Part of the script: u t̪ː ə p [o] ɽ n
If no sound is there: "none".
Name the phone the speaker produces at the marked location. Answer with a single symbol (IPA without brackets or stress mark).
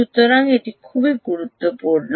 u